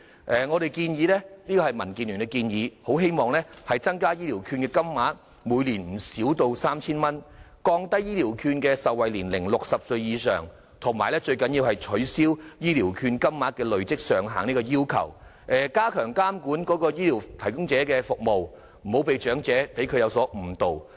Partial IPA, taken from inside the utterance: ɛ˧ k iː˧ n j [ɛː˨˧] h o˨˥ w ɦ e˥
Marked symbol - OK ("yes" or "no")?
no